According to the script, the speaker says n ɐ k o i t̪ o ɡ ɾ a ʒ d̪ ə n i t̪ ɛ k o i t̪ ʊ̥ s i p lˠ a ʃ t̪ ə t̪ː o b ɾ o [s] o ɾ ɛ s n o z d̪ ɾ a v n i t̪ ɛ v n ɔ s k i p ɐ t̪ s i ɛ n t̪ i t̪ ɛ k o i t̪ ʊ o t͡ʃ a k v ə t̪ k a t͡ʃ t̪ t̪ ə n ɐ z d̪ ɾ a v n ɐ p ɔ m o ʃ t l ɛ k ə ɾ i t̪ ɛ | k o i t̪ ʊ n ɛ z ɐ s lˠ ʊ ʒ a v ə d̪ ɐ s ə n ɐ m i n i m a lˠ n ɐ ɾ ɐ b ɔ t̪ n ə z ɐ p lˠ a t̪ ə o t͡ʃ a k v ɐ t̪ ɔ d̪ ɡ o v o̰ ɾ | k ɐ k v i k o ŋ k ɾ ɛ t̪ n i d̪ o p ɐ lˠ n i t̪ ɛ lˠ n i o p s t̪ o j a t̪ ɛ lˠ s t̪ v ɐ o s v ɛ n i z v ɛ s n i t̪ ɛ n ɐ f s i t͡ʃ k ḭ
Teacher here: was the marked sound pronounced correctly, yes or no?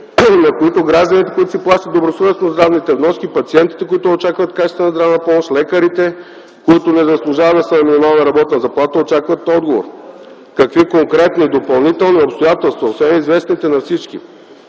yes